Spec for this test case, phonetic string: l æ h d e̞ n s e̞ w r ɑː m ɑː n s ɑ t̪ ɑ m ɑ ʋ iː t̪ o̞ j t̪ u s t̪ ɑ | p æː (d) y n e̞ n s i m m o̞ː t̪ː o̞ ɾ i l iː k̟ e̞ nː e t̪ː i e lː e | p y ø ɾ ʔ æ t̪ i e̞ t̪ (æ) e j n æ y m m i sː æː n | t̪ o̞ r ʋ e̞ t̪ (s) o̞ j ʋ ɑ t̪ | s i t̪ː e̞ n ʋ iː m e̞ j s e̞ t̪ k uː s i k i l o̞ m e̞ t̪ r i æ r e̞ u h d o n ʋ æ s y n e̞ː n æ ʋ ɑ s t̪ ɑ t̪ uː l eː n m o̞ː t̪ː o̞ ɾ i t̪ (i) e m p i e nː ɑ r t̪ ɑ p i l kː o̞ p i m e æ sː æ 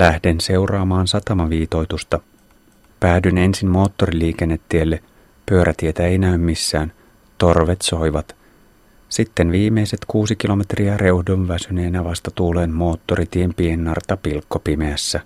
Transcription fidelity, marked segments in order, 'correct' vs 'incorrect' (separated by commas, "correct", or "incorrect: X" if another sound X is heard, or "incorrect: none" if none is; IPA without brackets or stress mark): correct, correct, correct, correct